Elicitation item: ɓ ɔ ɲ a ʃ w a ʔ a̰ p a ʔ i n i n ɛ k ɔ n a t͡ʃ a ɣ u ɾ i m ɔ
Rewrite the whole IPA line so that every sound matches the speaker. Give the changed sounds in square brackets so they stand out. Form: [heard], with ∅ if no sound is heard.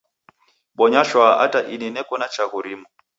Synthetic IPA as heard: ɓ ɔ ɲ a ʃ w a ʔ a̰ [t] a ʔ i n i n ɛ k ɔ n a t͡ʃ a ɣ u ɾ i m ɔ